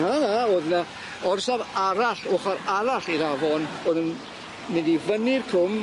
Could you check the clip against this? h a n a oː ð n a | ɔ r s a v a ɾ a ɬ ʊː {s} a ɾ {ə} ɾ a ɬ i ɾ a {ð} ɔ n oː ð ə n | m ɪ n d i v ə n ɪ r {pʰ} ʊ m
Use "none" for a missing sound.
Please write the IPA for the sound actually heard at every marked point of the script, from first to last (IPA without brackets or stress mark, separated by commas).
χ, a, v, kʰ